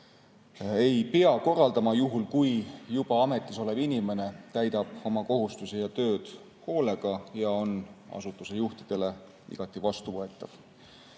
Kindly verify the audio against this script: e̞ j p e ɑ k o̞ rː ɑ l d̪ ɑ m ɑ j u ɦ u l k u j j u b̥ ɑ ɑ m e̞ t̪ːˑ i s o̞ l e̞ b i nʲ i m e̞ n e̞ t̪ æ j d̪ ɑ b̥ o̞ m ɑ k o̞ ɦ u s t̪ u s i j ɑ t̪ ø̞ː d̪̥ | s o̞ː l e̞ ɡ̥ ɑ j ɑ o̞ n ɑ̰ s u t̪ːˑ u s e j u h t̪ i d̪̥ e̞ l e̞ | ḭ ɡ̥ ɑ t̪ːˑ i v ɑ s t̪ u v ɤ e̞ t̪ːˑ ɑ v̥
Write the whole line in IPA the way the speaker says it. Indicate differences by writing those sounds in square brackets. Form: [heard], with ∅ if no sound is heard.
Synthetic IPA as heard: e̞ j p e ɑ k o̞ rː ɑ l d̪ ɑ m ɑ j u ɦ u l k u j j u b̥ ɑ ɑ m e̞ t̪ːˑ i s o̞ l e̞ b i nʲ i m e̞ n e̞ t̪ æ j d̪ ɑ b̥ o̞ m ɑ k o̞ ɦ u s t̪ u s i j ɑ t̪ ø̞ː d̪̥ | [h] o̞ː l e̞ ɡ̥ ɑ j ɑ o̞ n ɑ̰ s u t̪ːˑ u s e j u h t̪ i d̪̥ e̞ l e̞ | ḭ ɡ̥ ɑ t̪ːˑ i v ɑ s t̪ u v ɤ e̞ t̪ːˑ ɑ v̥